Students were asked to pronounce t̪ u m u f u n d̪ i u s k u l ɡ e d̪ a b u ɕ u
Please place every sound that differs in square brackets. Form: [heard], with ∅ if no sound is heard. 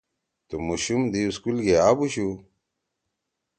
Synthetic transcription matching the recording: t̪ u m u [ɕ] u [m] d̪ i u s k u l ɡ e [∅] a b u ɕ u